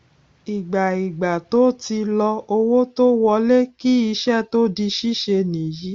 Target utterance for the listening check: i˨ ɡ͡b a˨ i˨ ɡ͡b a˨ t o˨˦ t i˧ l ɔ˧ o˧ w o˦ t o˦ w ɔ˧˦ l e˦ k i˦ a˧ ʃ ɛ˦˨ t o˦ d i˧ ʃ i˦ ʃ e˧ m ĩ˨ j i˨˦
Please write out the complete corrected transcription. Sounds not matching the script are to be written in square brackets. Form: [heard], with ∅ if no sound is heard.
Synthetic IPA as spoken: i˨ ɡ͡b a˨ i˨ ɡ͡b a˨ t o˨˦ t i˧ l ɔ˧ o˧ w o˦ t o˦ w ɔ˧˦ l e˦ k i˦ [i˧] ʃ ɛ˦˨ t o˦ d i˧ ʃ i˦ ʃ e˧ [n] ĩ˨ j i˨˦